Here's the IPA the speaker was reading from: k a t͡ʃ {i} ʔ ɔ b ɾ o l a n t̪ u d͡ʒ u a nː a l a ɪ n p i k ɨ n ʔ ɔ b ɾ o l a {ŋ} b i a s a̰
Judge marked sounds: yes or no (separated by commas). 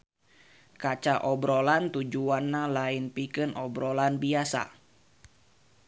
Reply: no, no